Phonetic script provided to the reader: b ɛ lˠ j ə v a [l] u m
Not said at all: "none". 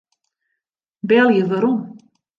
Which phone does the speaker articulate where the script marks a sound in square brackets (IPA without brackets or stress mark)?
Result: ɾ